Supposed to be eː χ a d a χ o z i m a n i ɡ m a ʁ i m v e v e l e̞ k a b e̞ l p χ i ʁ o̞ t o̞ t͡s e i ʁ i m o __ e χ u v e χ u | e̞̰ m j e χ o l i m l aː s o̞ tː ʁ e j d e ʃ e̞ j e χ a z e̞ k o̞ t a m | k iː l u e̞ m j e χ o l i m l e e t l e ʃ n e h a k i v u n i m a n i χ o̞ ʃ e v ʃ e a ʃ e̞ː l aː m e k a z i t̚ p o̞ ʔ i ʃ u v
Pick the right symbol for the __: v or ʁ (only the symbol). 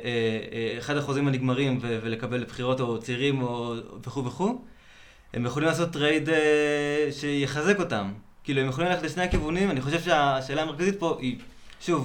v